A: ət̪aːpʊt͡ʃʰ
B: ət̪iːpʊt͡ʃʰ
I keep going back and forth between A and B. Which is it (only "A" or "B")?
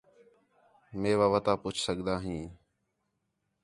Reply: A